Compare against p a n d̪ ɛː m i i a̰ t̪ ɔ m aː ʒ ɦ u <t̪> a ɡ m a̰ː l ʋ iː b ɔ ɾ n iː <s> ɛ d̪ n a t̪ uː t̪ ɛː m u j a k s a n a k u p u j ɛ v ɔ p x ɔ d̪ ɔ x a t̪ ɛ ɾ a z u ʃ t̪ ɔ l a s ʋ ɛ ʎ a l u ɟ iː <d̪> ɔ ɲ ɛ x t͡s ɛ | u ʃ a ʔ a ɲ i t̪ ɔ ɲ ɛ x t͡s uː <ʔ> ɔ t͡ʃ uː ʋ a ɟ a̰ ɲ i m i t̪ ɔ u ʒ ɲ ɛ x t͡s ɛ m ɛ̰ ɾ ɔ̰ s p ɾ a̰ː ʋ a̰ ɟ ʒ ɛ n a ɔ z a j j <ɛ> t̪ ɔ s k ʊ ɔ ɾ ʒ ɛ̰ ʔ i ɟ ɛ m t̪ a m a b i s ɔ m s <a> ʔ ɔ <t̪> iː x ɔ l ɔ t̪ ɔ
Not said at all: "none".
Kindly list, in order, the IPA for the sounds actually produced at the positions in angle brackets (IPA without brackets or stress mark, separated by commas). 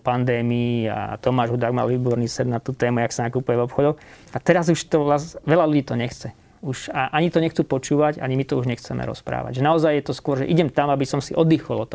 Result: d̪, s, t̪, p, ɛ, i, d̪